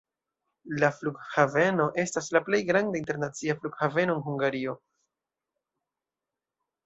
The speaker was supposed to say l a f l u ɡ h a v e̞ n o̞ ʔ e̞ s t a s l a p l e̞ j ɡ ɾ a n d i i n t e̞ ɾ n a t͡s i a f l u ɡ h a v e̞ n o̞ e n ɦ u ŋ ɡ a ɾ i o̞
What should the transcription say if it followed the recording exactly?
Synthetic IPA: l a f l u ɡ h a v e̞ n o̞ ʔ e̞ s t a s l a p l e̞ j ɡ ɾ a n d a i n t e̞ ɾ n a t͡s i a f l u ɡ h a v e̞ n o̞ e n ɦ u ŋ ɡ a ɾ i o̞